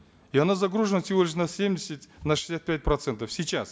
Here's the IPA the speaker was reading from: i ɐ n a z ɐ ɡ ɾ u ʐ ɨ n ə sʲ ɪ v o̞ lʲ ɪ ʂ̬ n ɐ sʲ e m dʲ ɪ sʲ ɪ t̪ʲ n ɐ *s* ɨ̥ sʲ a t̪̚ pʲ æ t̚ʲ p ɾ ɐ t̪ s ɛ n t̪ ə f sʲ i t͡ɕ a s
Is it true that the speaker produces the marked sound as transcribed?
no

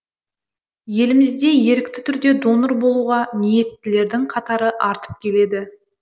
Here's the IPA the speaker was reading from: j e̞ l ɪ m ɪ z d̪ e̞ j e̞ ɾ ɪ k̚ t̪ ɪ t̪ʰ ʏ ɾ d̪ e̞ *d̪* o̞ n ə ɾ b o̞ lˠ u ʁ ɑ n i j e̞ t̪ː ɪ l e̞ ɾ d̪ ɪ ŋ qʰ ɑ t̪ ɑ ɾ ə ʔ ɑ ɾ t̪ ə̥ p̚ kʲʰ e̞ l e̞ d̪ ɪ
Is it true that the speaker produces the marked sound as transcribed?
yes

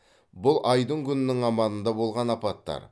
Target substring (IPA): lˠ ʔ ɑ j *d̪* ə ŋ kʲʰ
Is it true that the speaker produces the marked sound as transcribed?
yes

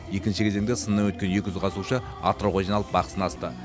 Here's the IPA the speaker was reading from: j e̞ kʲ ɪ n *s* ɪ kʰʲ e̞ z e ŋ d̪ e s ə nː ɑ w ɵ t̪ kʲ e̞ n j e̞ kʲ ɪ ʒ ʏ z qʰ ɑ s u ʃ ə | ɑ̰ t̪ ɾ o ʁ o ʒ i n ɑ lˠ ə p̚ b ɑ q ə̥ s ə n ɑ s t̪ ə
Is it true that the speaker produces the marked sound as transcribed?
no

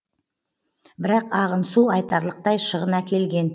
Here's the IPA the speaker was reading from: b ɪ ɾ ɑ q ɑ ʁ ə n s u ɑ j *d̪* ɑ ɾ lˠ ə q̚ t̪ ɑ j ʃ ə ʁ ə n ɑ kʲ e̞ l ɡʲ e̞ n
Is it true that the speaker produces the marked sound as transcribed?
no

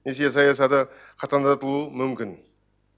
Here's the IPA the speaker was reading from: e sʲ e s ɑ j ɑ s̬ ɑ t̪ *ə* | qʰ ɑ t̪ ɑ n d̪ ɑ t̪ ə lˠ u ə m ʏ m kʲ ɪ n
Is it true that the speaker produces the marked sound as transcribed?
yes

